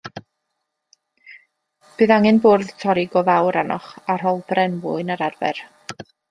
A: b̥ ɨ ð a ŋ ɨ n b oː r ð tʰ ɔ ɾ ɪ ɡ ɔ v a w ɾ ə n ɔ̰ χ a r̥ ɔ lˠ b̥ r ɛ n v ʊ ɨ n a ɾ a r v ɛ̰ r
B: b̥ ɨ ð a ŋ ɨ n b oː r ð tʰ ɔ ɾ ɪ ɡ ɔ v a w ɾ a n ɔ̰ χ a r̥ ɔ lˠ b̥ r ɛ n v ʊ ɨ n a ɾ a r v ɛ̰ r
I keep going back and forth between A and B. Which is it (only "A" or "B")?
B